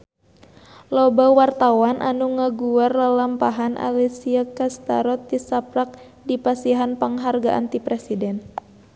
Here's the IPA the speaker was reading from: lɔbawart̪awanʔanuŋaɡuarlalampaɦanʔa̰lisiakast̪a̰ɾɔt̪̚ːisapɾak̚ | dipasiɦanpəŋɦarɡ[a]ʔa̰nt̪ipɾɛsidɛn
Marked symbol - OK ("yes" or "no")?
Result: yes